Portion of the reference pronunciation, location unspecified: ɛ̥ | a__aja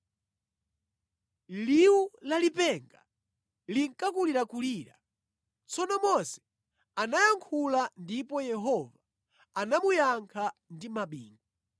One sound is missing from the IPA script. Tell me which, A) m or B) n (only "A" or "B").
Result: B